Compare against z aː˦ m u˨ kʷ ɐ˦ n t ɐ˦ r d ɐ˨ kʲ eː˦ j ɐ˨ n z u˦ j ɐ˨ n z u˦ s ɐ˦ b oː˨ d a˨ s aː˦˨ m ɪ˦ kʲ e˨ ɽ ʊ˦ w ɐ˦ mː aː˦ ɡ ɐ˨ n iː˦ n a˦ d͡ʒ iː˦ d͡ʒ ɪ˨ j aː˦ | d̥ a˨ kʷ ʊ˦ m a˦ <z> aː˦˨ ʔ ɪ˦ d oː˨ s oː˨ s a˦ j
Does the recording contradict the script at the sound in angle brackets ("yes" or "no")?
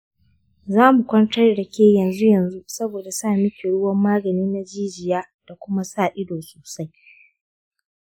yes